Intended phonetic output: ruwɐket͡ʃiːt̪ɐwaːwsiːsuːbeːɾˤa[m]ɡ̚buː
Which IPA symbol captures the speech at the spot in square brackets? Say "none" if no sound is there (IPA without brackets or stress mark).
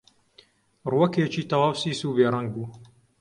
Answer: ŋ